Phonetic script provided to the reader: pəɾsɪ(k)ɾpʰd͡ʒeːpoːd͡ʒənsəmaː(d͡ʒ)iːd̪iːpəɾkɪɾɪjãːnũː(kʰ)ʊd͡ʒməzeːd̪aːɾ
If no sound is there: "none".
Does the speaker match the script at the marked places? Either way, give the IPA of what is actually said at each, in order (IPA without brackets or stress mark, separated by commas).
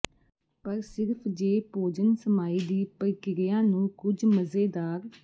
none, none, k